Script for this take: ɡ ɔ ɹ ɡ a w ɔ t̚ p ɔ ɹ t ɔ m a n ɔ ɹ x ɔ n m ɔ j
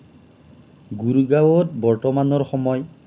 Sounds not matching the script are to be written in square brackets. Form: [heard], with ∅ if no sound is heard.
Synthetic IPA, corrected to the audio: ɡ [u] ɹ ɡ a w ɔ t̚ [b] ɔ ɹ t ɔ m a n ɔ ɹ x ɔ [∅] m ɔ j

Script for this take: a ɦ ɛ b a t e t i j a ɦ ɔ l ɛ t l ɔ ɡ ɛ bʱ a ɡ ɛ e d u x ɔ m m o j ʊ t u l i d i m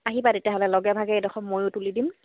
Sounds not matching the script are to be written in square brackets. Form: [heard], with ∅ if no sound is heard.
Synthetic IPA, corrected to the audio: a ɦ [i] b a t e t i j a ɦ ɔ l ɛ [∅] l ɔ ɡ ɛ bʱ a ɡ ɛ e d [ɔ] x ɔ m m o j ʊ t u l i d i m

